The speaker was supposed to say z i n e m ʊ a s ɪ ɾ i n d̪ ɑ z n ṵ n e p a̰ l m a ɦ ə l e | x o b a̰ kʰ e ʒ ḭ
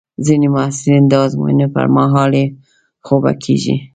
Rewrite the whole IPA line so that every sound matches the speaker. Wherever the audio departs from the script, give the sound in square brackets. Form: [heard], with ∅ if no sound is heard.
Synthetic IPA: z i n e m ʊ a s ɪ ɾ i n d̪ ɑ z [m] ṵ n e p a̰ [ɾ] m a ɦ [ɑ] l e | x o b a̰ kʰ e ʒ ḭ